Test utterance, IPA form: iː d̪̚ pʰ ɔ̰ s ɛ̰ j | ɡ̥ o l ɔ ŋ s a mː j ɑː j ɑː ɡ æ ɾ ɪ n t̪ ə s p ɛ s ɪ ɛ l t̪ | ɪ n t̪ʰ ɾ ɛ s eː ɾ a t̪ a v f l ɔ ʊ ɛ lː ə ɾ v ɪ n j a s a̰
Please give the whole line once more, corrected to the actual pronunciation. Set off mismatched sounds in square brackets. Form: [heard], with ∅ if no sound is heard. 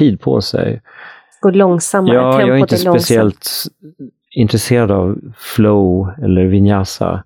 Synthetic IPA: iː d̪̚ pʰ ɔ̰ s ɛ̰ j | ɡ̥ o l ɔ ŋ s a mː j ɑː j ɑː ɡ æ ɾ ɪ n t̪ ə s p ɛ s ɪ ɛ l t̪ | ɪ n [t̪] ɾ ɛ s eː ɾ a [d̪] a v f l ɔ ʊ ɛ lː ə ɾ v ɪ n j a s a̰